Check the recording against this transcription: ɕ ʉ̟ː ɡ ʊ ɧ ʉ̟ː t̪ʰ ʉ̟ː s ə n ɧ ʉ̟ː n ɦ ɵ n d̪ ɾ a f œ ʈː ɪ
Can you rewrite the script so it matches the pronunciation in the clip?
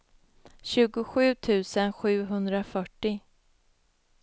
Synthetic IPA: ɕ ʉ̟ː ɡ ʊ ɧ ʉ̟ː t̪ʰ ʉ̟ː s ə n ɧ ʉ̟ː ɦ ɵ n d̪ ɾ a f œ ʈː ɪ